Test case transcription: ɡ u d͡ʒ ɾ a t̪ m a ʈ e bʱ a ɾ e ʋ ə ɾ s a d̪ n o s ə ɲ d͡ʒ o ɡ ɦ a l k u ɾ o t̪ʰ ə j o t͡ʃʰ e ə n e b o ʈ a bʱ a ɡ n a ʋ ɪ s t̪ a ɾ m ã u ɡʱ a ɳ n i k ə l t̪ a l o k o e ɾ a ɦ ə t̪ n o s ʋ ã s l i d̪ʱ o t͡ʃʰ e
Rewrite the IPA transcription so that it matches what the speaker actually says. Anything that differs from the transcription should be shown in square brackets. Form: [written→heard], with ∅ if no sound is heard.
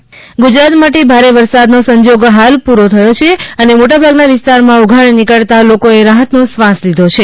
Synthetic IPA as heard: ɡ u d͡ʒ ɾ a t̪ m a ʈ e bʱ a ɾ e ʋ ə ɾ s a d̪ n o s ə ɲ d͡ʒ o ɡ ɦ a l [k→p] u ɾ o t̪ʰ ə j o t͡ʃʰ e ə n e [b→m] o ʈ a bʱ a ɡ n a ʋ ɪ s t̪ a ɾ m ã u ɡʱ a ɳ n i k ə [l→ɭ] t̪ a l o k o e ɾ a ɦ ə t̪ n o s ʋ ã s l i d̪ʱ o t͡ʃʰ e